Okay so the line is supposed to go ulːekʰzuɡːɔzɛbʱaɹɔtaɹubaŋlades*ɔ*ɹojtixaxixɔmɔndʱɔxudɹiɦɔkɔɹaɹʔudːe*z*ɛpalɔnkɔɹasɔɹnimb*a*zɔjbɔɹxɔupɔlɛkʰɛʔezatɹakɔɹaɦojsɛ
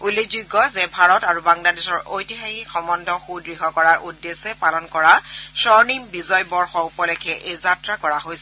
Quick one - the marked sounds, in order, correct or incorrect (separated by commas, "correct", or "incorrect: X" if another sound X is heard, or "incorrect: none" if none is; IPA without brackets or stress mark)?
correct, incorrect: s, incorrect: i